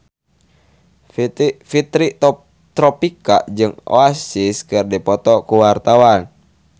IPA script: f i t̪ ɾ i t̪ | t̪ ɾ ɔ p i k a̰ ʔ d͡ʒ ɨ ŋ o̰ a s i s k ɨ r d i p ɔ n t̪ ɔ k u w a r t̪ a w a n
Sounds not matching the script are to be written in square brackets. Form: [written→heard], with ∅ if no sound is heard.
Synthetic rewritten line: f i t̪ ɾ i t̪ | t̪ ɾ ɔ p i k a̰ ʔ d͡ʒ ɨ ŋ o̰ a s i s k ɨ r d i p ɔ [n→∅] t̪ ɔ k u w a r t̪ a w a n